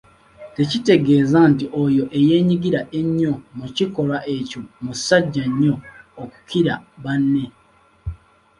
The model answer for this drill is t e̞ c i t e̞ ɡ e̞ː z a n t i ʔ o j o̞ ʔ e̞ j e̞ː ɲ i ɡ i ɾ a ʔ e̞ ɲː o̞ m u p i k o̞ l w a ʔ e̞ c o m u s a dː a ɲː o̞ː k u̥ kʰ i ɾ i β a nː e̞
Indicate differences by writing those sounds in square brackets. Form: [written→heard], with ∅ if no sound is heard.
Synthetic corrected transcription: t e̞ c i t e̞ ɡ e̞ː z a n t i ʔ o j o̞ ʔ e̞ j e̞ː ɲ i ɡ i ɾ a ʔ e̞ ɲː o̞ m u [p→c] i k o̞ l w a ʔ e̞ c o m u s a [dː→ɟː] a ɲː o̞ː k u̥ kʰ i ɾ [i→a] β a nː e̞

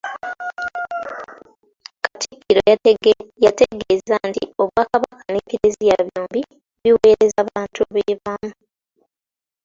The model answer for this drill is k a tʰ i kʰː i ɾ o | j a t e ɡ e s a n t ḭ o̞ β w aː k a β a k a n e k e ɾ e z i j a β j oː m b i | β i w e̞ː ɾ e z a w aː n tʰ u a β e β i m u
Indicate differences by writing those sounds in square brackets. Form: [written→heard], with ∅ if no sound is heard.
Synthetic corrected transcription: k a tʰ i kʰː i ɾ o | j a t e ɡ e [s→z] a n t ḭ o̞ β w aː k a β a k a n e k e ɾ e z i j a β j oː m b i | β i w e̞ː ɾ e z a [w→β] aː n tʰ u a β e β [i→a] m u

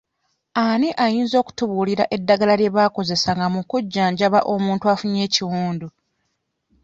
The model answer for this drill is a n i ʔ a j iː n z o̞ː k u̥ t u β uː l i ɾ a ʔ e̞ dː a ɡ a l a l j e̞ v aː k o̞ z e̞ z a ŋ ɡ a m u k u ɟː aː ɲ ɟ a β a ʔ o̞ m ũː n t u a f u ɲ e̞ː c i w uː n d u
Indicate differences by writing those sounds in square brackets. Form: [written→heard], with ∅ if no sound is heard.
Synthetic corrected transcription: a n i ʔ a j iː n z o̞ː k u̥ t u β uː l i ɾ a ʔ e̞ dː a ɡ a l a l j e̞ [v→β] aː k o̞ z e̞ [z→s] a ŋ ɡ a m u k u ɟː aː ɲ ɟ a β a ʔ o̞ m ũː n t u a f u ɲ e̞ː c i w uː n d u

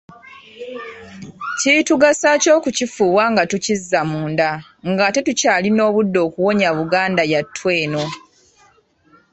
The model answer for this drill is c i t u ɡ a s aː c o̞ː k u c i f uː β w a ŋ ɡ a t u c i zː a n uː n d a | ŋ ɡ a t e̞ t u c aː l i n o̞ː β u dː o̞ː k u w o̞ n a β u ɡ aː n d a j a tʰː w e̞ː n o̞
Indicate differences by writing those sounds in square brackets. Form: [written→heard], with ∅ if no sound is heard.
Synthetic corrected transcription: c i t u ɡ a s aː c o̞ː k u c i f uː β w a ŋ ɡ a t u c i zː a [n→m] uː n d a | ŋ ɡ a t e̞ t u c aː l i n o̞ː β u dː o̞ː k u w o̞ [n→ɲ] a β u ɡ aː n d a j a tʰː w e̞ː n o̞

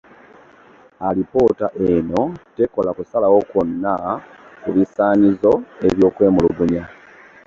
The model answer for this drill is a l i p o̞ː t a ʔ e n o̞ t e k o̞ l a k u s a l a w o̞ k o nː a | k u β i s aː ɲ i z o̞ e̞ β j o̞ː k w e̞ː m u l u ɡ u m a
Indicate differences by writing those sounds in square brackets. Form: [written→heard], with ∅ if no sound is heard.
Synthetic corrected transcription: a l i p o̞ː t a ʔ e n o̞ t e k o̞ l a k u s a l a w o̞ k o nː a | k u β i s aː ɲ i z o̞ e̞ β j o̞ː k w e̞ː m u l u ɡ u [m→ɲ] a

